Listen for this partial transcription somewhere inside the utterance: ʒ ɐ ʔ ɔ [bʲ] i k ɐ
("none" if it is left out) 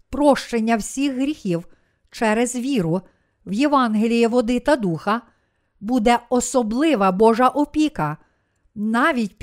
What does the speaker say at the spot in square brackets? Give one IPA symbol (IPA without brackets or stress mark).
pʲ